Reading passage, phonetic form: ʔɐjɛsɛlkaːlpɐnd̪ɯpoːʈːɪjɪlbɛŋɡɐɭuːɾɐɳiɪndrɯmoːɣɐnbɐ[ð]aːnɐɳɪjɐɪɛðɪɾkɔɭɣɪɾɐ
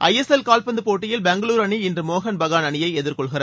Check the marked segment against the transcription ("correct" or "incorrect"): incorrect